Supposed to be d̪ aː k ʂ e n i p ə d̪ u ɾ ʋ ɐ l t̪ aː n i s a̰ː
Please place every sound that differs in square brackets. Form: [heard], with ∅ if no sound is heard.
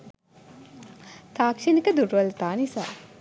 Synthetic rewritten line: [t̪] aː k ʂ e n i [k] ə d̪ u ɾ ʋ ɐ l t̪ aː n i s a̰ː